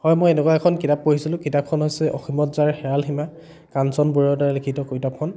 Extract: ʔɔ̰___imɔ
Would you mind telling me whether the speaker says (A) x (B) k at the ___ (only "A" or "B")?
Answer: A